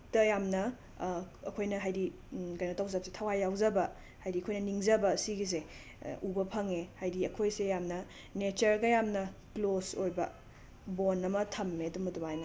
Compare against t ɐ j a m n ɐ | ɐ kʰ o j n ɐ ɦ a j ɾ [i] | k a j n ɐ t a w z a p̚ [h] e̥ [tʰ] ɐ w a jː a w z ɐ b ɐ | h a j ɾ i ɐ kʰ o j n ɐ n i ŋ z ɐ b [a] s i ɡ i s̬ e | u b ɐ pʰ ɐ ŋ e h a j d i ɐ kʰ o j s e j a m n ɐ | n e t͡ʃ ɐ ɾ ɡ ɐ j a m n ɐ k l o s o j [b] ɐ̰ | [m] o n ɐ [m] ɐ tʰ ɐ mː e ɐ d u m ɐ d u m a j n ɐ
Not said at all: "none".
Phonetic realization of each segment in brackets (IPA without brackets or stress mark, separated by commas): i, s, tʰ, ɐ, b, b, m